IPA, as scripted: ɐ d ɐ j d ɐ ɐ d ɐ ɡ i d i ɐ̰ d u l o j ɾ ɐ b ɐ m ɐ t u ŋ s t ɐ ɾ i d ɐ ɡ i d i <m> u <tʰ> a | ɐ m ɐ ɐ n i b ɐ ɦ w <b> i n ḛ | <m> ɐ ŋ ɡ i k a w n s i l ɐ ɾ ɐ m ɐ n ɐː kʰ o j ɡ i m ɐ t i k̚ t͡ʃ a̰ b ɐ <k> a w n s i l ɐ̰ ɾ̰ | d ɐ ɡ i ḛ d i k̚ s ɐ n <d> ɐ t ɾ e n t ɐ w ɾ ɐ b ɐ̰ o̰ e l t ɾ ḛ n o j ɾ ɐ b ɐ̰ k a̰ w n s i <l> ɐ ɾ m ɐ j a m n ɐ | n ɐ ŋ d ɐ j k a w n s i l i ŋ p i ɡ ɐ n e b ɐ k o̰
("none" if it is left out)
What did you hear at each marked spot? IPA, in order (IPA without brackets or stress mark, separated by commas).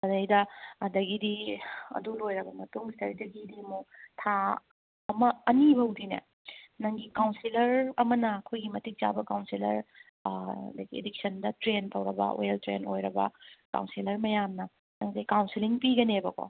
m, tʰ, d, n, k, d, l